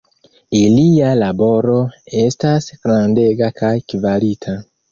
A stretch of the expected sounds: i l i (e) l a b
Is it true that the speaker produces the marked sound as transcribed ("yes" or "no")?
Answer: no